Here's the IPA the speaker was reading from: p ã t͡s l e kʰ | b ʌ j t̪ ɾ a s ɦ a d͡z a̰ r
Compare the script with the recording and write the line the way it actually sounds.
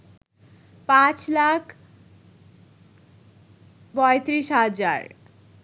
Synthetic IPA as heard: p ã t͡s l a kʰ | b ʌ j t̪ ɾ i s ɦ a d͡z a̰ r